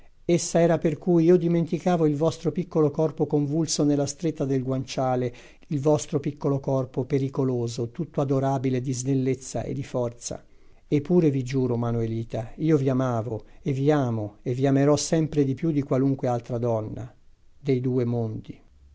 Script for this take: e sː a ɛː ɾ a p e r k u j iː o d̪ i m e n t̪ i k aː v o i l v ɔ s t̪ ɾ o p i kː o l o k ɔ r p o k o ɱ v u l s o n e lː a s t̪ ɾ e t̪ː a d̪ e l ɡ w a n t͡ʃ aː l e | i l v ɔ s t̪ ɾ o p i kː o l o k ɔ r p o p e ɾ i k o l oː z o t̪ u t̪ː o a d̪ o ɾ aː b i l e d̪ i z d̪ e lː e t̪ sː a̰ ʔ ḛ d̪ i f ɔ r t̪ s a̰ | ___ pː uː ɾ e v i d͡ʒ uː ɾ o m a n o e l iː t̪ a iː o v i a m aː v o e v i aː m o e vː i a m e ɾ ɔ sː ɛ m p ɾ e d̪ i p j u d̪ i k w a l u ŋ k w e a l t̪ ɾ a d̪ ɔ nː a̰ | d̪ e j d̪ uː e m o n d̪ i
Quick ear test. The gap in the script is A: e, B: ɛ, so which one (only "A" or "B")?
A